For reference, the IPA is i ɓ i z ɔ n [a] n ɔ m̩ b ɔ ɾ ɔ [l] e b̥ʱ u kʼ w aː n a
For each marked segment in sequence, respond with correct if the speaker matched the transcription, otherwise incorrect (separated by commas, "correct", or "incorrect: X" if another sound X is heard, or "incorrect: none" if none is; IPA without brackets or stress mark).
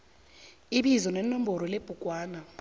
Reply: incorrect: ɛ, correct